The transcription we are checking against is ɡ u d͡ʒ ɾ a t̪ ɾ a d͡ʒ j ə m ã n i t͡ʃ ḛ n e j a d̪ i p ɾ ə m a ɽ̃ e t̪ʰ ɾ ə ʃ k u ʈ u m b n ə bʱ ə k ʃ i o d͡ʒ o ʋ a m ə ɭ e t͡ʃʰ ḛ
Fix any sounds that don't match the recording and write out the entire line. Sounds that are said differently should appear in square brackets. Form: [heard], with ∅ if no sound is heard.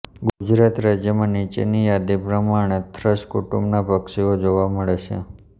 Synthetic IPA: ɡ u d͡ʒ ɾ a t̪ ɾ a d͡ʒ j ə m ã n i t͡ʃ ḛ n [i] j a d̪ i p ɾ ə m a ɽ̃ e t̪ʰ ɾ ə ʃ k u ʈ u m b n [a] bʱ ə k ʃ i o d͡ʒ o ʋ a m ə ɭ e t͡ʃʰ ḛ